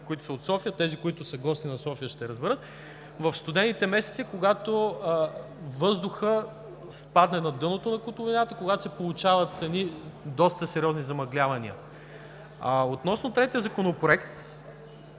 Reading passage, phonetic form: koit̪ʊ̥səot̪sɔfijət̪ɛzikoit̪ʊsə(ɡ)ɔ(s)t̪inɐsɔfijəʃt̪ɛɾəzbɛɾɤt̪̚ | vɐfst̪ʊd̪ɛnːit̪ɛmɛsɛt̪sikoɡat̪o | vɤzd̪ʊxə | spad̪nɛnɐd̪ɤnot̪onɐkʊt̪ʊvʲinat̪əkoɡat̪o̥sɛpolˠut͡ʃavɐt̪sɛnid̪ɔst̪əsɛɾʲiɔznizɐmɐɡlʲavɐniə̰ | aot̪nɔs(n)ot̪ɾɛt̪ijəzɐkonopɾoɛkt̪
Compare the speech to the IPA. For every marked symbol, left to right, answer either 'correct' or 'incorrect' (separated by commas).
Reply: correct, correct, correct